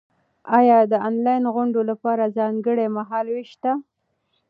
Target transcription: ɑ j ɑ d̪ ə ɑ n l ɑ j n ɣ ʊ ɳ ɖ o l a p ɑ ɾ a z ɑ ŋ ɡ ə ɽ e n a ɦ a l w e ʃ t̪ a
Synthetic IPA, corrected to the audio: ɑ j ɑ d̪ ə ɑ n l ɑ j n ɣ ʊ ɳ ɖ o l a p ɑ ɾ a z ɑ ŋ ɡ ə ɽ e m a ɦ ɑ l w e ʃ t̪ a